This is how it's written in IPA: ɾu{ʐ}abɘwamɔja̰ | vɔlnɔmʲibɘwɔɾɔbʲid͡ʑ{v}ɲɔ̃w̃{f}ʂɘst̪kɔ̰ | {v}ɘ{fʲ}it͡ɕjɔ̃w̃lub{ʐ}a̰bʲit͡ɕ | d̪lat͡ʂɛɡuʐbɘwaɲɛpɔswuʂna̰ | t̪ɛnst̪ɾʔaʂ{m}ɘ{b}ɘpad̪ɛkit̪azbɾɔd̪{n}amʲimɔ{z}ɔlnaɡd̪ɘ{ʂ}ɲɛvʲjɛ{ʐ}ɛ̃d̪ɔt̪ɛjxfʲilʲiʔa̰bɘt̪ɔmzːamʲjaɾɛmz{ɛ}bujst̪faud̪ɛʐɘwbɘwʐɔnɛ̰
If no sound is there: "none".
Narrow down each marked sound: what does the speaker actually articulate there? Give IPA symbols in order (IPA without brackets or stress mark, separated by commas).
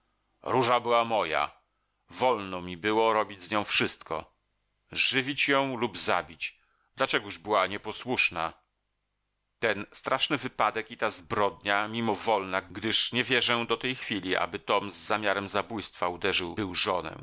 ʐ, z, f, ʐ, vʲ, z, n, v, ɲ, v, ʂ, ʐ, a